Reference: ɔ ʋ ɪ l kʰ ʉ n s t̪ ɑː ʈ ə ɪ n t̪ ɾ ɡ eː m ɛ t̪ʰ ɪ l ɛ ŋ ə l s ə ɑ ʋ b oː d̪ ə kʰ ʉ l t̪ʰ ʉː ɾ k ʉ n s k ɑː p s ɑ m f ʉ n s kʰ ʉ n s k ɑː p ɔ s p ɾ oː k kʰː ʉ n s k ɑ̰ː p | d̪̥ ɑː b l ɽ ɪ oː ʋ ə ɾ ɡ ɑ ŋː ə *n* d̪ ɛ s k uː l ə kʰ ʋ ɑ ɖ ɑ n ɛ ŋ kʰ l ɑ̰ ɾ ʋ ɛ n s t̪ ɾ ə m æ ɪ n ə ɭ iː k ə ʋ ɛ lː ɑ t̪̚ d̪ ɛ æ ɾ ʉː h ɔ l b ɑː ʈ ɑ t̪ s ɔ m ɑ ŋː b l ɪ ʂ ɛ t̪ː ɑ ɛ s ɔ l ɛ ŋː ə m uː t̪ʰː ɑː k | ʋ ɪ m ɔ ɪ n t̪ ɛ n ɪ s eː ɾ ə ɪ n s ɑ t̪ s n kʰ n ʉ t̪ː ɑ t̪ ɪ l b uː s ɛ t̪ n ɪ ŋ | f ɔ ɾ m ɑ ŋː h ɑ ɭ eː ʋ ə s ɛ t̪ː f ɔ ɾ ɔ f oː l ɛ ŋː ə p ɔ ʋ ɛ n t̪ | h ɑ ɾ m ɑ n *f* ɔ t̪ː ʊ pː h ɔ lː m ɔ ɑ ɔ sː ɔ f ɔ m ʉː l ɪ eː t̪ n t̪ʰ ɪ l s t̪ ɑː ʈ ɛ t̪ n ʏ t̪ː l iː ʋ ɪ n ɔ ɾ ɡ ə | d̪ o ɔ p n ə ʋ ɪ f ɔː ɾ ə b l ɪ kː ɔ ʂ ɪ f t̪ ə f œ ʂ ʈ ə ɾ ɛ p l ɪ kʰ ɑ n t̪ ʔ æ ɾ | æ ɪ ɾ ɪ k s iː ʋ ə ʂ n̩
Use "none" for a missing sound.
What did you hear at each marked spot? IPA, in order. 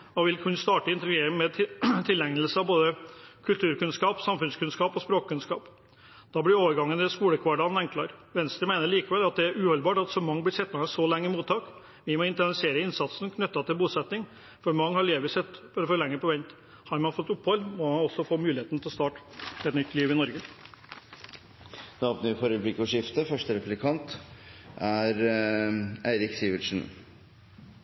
n, f

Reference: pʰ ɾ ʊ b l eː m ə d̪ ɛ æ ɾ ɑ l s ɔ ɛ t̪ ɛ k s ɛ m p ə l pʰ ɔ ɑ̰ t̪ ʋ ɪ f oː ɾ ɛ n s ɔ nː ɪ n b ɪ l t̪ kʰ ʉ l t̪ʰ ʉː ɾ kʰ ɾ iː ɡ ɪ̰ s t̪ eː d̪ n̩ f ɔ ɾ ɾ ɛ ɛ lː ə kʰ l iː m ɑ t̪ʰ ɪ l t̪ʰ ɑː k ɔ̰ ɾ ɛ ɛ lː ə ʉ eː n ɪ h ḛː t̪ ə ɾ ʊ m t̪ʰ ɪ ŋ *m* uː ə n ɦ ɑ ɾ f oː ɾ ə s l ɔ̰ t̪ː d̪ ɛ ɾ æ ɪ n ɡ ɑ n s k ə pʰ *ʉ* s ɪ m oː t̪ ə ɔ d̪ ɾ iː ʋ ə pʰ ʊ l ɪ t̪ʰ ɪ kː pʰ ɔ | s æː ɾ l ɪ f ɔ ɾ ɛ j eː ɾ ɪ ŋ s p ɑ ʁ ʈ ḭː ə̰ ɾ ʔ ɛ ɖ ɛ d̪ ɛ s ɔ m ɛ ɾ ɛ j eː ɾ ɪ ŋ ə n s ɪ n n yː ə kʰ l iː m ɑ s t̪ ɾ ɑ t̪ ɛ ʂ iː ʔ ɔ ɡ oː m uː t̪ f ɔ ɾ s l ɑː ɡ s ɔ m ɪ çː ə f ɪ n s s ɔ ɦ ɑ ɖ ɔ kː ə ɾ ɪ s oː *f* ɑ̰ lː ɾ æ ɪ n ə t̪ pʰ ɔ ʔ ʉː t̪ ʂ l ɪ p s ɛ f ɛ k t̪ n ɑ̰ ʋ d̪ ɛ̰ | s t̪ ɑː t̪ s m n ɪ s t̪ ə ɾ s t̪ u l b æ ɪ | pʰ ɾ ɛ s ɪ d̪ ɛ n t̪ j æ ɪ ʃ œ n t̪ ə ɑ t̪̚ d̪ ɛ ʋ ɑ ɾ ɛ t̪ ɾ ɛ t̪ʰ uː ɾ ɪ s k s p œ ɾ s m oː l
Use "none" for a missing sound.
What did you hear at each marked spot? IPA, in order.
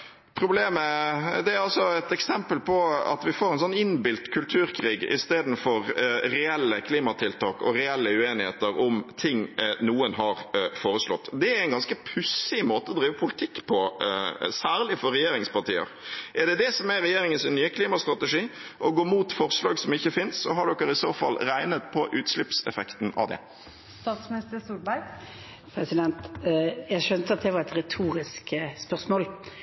n, ʉ, f

